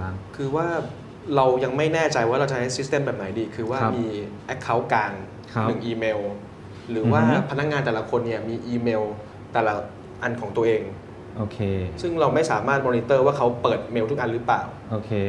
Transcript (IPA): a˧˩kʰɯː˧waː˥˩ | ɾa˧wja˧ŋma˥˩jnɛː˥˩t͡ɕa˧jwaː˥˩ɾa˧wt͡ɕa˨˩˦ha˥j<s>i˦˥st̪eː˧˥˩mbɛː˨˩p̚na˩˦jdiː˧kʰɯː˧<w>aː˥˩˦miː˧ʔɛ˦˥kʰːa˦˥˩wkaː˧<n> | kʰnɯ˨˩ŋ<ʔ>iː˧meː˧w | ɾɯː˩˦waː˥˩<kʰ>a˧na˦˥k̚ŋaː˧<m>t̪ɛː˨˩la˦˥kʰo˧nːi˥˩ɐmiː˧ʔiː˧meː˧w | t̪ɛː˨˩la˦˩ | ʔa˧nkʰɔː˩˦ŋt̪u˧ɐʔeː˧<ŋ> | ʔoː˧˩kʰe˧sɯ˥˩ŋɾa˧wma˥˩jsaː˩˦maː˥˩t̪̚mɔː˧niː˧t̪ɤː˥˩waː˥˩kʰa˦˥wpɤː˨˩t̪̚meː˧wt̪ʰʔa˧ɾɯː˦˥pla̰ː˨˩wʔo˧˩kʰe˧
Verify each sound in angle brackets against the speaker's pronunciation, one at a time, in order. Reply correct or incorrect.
correct, correct, incorrect: ŋ, correct, incorrect: pʰ, incorrect: n, correct

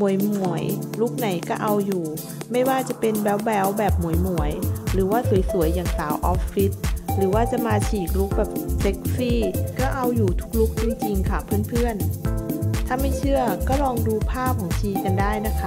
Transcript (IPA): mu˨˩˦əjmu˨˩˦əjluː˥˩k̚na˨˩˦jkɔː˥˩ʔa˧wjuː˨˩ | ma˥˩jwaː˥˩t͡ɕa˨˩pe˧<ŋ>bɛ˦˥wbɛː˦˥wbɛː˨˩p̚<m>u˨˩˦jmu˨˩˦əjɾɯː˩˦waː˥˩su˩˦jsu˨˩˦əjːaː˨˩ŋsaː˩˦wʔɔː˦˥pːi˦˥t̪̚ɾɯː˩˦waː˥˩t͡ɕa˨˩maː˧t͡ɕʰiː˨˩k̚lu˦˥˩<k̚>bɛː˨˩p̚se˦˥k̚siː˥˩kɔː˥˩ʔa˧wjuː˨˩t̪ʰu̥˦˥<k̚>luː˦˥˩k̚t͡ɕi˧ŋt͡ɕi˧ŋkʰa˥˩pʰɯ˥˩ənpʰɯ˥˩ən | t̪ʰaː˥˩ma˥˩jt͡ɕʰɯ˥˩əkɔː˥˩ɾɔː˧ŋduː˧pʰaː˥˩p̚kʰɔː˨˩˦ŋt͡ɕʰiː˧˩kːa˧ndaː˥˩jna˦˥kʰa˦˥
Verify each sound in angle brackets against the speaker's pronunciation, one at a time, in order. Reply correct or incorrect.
incorrect: n, correct, correct, correct

